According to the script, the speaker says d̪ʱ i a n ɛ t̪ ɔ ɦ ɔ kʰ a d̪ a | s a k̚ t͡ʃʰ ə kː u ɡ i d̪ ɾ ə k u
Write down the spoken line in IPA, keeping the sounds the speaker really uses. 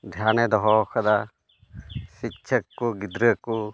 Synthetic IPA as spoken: d̪ʱ j a n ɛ d̪ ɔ ɦ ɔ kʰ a d̪ a | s i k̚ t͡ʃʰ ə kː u ɡ i d̪ ɾ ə k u